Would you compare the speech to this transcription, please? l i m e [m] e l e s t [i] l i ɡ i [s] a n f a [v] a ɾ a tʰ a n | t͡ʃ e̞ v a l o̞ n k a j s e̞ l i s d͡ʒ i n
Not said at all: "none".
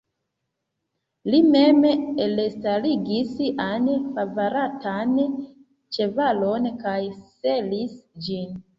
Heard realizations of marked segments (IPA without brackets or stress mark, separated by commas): m, a, s, v